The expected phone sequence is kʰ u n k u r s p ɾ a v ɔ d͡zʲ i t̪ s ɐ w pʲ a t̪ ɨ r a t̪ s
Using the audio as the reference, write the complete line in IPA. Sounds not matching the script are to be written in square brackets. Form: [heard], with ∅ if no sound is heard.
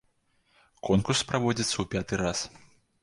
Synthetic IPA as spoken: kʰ [ɔ] n k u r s p ɾ a v ɔ d͡zʲ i t̪ s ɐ w pʲ a t̪ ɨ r a [∅] s